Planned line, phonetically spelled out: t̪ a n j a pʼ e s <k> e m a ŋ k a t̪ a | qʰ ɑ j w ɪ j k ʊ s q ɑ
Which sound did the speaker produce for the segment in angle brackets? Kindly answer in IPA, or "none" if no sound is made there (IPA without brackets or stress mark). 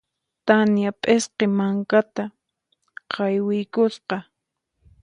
q